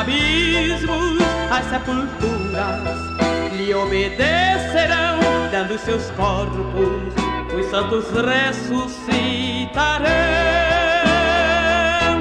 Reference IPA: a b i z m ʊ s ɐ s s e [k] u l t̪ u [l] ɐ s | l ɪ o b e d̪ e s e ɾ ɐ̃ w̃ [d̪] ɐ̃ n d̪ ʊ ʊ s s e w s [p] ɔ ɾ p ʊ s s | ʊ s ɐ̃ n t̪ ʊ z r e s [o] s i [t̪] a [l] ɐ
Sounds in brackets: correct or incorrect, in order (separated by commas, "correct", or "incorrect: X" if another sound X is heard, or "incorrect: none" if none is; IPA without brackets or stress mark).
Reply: incorrect: p, incorrect: ɾ, correct, incorrect: k, incorrect: u, correct, incorrect: ɾ